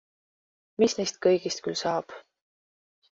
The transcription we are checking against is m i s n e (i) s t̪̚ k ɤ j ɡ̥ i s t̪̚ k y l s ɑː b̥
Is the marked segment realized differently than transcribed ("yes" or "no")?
yes